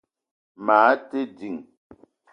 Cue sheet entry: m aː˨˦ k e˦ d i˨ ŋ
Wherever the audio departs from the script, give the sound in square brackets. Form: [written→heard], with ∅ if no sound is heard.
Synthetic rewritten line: m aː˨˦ [k→t] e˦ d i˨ ŋ